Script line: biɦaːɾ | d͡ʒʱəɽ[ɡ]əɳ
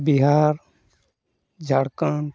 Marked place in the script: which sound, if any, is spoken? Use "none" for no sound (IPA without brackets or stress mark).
k